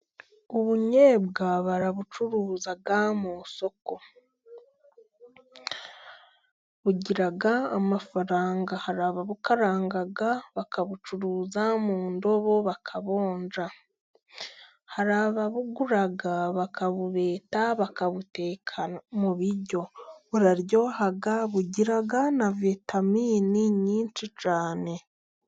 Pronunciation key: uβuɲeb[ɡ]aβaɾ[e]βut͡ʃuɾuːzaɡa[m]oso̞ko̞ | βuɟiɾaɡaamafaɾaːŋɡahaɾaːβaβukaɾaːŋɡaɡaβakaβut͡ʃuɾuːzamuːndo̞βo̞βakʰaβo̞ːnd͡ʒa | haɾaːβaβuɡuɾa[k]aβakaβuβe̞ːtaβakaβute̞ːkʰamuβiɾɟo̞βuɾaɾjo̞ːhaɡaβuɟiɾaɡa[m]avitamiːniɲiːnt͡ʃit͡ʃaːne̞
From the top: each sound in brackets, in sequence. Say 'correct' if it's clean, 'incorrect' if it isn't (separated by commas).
correct, incorrect, correct, incorrect, incorrect